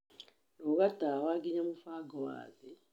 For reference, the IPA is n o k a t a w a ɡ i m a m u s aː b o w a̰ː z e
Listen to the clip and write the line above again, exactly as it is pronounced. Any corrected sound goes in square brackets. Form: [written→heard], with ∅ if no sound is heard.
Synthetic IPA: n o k a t a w a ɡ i [m→ɲ] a m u [s→f] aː [b→ɡ] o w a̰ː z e